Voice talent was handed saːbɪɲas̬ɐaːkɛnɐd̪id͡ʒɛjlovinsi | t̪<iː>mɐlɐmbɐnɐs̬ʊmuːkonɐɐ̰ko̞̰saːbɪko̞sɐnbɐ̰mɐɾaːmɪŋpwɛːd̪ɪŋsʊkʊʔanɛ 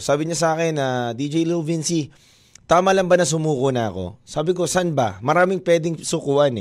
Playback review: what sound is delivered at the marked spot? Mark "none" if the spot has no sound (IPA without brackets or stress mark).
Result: aː